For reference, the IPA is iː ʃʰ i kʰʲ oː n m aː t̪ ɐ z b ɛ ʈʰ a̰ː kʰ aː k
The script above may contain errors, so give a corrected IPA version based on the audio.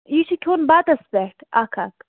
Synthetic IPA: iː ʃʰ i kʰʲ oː n b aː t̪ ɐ s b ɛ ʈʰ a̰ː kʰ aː k